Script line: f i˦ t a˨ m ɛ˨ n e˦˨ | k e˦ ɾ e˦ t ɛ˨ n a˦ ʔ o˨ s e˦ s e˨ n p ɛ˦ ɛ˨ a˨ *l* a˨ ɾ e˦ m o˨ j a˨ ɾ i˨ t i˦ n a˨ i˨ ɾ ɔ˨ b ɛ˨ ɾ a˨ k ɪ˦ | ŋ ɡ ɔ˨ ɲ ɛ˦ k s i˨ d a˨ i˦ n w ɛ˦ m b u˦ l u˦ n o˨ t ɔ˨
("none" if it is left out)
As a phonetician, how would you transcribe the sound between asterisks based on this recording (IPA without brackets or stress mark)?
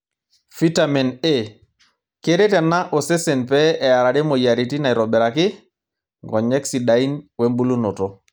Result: ɾ